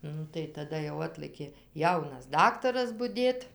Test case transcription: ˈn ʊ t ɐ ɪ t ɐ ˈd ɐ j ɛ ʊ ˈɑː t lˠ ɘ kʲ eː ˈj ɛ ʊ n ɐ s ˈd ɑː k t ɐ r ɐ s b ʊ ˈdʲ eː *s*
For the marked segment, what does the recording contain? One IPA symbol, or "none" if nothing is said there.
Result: t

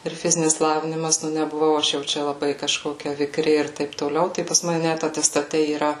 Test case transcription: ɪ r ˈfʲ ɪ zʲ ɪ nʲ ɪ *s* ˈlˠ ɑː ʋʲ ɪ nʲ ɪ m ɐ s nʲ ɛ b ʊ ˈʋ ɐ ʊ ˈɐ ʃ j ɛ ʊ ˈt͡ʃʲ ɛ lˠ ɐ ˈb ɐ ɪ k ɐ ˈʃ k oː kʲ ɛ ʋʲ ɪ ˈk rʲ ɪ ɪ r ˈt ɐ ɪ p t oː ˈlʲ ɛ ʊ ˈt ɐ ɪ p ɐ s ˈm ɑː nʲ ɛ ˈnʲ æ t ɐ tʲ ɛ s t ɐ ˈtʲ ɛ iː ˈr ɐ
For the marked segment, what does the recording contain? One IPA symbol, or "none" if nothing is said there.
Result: s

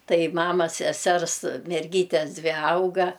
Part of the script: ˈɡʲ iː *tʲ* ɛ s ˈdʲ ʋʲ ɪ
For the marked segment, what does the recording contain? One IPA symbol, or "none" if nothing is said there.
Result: tʲ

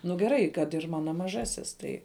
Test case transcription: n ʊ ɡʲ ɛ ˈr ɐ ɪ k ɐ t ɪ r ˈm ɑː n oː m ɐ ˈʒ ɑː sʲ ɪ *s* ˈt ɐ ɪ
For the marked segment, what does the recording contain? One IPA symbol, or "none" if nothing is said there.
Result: s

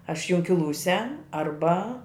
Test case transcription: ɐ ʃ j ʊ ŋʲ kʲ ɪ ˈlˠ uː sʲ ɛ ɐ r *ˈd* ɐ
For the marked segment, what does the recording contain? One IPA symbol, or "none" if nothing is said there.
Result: b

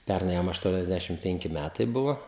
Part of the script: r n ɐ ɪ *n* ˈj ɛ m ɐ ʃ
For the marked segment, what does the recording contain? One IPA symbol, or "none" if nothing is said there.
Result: none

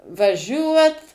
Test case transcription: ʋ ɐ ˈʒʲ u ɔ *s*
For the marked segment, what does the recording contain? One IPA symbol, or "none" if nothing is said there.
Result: t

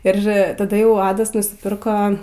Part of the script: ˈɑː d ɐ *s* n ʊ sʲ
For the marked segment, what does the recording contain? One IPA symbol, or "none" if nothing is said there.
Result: s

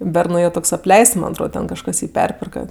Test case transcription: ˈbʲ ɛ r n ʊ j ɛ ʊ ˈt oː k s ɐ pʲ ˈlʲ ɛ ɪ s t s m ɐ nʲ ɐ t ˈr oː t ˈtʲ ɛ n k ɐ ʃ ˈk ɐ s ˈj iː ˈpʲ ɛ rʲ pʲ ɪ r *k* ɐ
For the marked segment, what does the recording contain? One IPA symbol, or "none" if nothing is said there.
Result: k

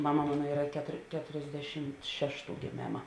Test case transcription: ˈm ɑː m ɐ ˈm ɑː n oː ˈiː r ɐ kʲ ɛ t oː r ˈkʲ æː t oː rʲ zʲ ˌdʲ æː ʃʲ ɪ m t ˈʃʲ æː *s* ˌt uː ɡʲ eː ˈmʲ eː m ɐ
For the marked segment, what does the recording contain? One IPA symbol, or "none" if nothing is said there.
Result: ʃ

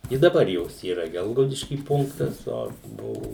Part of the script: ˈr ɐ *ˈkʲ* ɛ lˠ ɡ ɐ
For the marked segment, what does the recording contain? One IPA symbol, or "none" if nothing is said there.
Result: ɡʲ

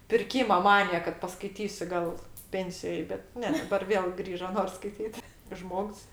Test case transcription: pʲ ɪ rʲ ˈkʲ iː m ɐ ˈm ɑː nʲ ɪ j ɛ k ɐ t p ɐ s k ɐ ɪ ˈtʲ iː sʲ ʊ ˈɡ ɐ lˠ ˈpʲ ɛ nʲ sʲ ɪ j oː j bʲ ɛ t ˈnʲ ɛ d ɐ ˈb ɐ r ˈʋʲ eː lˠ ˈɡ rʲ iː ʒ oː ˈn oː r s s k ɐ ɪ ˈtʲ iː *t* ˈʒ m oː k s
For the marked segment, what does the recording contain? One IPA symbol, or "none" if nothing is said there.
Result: t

